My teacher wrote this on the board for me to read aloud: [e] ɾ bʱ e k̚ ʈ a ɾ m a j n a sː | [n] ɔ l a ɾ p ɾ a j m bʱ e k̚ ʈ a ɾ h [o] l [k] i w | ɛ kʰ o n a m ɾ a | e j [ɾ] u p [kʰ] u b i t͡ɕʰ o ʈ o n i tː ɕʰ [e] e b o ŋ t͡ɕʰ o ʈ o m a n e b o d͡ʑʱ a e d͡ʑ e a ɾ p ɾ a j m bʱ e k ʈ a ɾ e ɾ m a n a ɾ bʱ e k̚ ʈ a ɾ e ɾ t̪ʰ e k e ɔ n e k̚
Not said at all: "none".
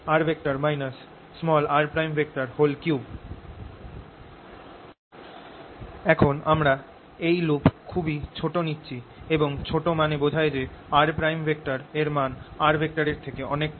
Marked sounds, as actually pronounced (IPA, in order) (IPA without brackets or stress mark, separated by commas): a, m, o, k, l, kʰ, i